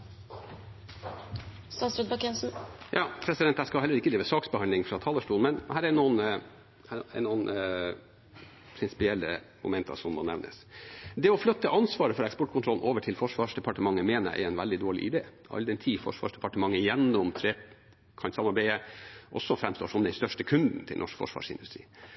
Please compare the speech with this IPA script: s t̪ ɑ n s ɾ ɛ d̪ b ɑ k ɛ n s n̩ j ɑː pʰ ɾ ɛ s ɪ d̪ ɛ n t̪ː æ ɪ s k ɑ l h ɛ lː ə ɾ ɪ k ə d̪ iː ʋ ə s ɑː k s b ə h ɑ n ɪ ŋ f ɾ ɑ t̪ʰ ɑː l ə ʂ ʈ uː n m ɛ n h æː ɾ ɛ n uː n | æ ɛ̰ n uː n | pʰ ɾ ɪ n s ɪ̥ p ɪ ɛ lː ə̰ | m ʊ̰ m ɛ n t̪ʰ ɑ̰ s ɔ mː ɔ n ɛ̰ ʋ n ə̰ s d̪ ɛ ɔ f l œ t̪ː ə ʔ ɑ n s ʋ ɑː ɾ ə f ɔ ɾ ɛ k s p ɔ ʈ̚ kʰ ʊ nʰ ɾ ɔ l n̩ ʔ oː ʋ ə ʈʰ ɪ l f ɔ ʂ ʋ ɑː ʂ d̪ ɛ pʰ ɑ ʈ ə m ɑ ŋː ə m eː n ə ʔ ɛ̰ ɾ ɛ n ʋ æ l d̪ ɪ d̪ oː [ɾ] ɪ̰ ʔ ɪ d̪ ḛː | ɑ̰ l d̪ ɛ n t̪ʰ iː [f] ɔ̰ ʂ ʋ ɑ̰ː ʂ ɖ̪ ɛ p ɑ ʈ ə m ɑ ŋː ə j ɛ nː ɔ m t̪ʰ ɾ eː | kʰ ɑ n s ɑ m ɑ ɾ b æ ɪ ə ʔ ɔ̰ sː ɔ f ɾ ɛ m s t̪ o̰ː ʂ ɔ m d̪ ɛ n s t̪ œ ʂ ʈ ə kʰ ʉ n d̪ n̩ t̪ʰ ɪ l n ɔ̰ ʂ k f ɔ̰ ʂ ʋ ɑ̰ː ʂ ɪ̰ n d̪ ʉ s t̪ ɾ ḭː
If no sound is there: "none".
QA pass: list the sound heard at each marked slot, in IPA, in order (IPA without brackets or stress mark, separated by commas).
ɭ, f